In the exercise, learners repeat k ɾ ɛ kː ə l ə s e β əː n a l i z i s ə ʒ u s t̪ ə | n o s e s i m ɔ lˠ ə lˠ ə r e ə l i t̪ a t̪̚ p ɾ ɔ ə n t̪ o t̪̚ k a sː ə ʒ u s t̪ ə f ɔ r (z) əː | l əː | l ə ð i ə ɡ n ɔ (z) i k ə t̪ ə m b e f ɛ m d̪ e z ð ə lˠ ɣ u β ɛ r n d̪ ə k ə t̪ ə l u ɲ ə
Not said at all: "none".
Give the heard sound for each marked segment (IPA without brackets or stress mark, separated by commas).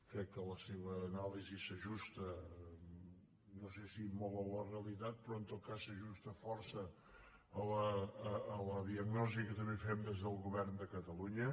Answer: s, z